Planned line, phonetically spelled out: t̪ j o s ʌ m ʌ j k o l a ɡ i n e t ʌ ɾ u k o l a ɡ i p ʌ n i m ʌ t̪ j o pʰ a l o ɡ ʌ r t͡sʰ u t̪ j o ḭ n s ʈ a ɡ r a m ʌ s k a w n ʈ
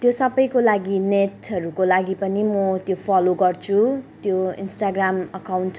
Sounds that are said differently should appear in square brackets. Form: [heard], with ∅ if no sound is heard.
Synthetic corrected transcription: t̪ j o s ʌ [b] ʌ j k o l a ɡ i n e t ʌ ɾ u k o l a ɡ i p ʌ n i m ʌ t̪ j o pʰ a l o ɡ ʌ r t͡sʰ u t̪ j o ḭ n s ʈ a ɡ r a m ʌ [∅] k a w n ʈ